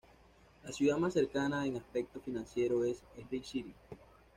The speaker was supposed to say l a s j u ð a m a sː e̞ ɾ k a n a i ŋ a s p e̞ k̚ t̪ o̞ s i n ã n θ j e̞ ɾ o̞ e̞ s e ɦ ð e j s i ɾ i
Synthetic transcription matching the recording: l a s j u ð a m a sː e̞ ɾ k a n a e ŋ a s p e̞ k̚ t̪ o̞ f i n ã n s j e̞ ɾ o̞ e̞ s e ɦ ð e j s i ɾ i